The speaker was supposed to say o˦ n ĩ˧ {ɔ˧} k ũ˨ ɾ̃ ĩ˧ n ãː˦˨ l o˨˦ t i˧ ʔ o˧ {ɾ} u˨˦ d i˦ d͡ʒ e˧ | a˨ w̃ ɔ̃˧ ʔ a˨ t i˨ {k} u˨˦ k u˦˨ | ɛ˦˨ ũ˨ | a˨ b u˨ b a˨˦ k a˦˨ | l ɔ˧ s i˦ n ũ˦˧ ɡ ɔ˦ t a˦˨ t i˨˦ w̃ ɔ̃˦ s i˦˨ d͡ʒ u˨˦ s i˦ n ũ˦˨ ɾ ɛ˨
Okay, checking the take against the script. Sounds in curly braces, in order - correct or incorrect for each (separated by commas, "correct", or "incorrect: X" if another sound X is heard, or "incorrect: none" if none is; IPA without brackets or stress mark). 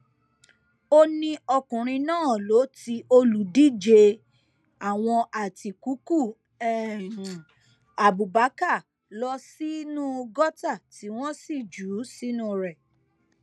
correct, incorrect: l, correct